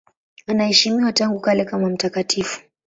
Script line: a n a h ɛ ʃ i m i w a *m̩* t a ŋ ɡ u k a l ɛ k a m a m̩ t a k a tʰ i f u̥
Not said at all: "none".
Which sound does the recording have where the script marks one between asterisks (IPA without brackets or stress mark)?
none